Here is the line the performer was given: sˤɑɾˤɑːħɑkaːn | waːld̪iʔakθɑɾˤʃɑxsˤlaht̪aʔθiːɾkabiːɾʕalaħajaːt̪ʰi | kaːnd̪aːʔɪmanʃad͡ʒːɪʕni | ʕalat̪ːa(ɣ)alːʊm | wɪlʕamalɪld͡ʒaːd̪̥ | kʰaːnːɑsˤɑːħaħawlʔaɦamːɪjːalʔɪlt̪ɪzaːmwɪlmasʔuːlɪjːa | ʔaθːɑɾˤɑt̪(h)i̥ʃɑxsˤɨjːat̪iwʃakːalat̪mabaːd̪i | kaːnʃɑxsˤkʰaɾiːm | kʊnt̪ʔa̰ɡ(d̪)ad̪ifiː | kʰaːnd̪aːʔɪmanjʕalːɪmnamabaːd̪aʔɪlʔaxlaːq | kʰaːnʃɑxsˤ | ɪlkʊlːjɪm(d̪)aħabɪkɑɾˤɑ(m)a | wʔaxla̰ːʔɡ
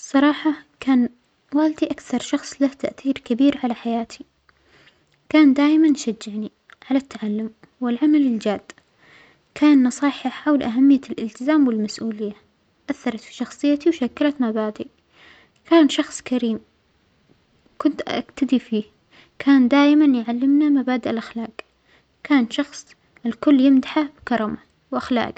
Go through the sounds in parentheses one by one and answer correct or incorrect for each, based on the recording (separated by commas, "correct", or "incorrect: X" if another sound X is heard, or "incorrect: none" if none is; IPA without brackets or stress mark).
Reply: incorrect: ʕ, incorrect: f, incorrect: t̪, correct, correct